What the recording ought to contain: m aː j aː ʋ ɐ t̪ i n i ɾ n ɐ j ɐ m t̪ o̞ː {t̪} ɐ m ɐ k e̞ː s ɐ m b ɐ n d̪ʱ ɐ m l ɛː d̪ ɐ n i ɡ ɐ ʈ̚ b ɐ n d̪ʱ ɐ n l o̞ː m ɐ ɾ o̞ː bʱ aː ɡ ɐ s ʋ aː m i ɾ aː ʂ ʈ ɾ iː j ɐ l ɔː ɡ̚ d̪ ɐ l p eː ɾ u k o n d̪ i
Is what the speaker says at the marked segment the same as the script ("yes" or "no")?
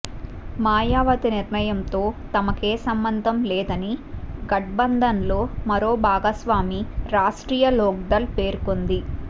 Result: yes